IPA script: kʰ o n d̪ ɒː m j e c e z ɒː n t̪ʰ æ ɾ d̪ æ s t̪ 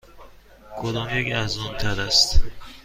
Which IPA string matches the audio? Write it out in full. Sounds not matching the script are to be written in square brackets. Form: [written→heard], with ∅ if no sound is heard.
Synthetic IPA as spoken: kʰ o [n→∅] d̪ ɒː m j e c [e→æ] z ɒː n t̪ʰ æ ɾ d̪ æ s t̪